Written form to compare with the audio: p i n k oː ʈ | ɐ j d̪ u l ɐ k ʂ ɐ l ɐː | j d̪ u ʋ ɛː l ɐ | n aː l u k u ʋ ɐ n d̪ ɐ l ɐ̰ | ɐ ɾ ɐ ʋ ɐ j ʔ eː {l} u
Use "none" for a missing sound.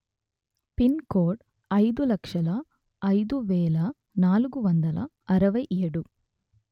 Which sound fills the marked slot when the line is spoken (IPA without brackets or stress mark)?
ɽ